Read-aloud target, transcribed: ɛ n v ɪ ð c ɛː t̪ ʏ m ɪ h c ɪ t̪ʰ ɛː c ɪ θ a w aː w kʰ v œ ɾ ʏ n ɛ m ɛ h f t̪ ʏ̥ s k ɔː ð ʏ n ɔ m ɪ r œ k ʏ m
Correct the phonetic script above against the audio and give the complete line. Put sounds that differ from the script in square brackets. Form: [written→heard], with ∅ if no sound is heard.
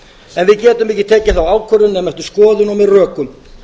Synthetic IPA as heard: ɛ n v ɪ ð c ɛː t̪ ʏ m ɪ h c ɪ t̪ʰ ɛː c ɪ θ a w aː w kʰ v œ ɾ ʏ n ɛ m ɛ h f t̪ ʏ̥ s k ɔː ð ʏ n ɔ m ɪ r [œ→œː] k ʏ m